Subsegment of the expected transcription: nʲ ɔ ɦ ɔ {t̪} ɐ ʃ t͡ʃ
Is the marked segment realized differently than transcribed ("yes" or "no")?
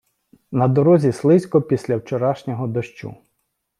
yes